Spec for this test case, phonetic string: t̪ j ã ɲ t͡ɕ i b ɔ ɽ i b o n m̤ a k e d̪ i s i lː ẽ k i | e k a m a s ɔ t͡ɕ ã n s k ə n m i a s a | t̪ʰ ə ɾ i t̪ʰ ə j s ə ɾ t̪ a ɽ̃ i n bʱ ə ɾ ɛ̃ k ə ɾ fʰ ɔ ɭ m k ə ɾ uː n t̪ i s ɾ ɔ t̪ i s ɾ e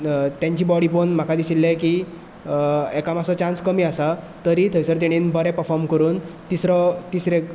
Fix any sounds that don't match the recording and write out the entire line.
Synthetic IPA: t̪ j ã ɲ t͡ɕ i b ɔ ɽ i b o n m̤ a k a d̪ i s i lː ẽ k i | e k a m a s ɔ t͡ɕ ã n s k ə m i a s a | t̪ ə ɾ i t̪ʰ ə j s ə ɾ t̪ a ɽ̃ i n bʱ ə ɾ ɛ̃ p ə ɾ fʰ ɔ ɾ m k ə ɾ uː n t̪ i s ɾ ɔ t̪ i s ɾ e

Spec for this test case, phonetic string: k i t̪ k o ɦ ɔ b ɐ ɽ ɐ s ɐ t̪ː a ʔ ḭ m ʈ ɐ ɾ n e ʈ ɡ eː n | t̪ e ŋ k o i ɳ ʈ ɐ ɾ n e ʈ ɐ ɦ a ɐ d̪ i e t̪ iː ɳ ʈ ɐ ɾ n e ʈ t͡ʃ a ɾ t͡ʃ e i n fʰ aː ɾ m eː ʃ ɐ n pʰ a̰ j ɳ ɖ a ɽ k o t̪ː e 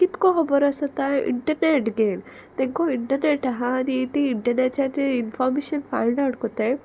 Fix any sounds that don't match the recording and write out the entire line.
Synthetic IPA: k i t̪ k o ɦ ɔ b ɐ ɾ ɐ s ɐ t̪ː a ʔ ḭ ɳ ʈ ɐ ɾ n e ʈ ɡ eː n | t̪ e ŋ k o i ɳ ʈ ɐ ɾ n e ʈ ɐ ɦ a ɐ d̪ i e t̪ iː ɳ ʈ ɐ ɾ n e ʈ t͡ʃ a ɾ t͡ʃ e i n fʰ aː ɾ m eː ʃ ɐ n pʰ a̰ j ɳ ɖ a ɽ k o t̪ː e

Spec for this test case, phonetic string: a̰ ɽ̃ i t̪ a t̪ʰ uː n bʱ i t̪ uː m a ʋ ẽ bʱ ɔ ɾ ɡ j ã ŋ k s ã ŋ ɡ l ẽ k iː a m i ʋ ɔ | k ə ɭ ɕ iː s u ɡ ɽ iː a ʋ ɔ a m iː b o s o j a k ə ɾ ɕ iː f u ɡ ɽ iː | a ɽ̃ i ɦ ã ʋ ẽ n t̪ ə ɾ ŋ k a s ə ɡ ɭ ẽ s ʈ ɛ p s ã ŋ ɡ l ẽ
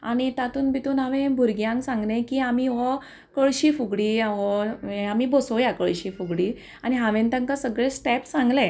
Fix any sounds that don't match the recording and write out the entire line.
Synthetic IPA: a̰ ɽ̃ i t̪ a t̪ uː n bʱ i t̪ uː n a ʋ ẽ bʱ u ɾ ɡ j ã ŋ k s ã ŋ ɡ l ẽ k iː a m i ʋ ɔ | k ə ɭ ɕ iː f u ɡ ɽ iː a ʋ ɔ a m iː b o s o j a k ə ɭ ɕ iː f u ɡ ɽ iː | a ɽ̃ i ɦ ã ʋ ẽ n t̪ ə ŋ k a s ə ɡ ɭ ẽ s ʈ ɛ p s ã ŋ ɡ l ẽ

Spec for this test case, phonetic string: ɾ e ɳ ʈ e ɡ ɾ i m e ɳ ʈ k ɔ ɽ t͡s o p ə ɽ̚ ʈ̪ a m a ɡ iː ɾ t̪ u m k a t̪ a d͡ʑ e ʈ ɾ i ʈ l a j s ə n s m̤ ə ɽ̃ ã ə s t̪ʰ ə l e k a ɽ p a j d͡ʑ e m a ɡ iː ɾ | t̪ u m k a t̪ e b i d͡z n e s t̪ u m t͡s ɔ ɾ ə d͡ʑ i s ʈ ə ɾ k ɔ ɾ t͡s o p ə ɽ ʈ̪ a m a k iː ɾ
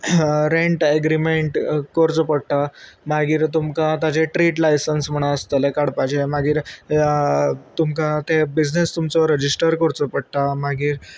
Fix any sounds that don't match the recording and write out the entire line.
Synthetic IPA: ɾ e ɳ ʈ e ɡ ɾ i m e ɳ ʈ k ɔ ɾ t͡s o p ə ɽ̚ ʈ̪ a m a ɡ iː ɾ t̪ u m k a t̪ a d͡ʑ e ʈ ɾ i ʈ l a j s ə n s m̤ ə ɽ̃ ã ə s t̪ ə l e k a ɽ p a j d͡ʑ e m a ɡ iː ɾ | t̪ u m k a t̪ e b i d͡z n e s t̪ u m t͡s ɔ ɾ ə d͡ʑ i s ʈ ə ɾ k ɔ ɾ t͡s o p ə ɽ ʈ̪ a m a ɡ iː ɾ

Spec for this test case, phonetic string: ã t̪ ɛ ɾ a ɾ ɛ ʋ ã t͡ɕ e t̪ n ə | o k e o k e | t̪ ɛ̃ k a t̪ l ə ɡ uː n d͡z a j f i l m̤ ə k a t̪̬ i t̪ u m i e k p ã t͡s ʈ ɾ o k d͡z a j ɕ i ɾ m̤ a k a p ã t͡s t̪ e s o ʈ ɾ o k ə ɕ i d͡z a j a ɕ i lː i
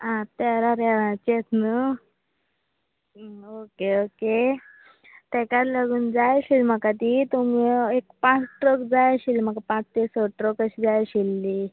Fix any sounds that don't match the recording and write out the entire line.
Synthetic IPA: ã t̪ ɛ ɾ a ɾ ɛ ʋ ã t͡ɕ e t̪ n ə | o k e o k e | t̪ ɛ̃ k a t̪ l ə ɡ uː n d͡z a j ɕ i l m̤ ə k a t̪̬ i t̪ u m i e k p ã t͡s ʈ ɾ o k d͡z a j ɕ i l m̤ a k a p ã t͡s t̪ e s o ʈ ɾ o k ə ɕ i d͡z a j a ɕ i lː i

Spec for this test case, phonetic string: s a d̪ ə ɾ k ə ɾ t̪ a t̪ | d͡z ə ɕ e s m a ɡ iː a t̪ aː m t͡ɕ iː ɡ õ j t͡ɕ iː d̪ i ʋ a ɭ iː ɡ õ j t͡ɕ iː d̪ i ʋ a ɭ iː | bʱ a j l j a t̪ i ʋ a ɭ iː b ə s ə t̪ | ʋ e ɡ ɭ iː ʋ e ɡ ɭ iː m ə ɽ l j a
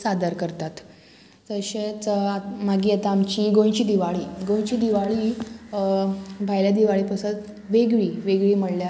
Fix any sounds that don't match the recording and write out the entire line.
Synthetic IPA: s a d̪ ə ɾ k ə ɾ t̪ a t̪ | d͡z ə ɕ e t͡s m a ɡ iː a t̪ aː m t͡ɕ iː ɡ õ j t͡ɕ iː d̪ i ʋ a ɭ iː ɡ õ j t͡ɕ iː d̪ i ʋ a ɭ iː | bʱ a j l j a d̪ i ʋ a ɭ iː p ə s ə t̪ | ʋ e ɡ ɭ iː ʋ e ɡ ɭ iː m ə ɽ l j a

